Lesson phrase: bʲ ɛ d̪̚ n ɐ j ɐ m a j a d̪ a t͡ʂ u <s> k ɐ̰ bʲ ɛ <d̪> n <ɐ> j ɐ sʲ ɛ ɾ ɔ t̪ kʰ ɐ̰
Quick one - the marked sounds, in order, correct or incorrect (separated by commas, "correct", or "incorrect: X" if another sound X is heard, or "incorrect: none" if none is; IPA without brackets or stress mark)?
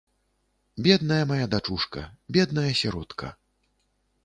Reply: incorrect: ʂ, correct, correct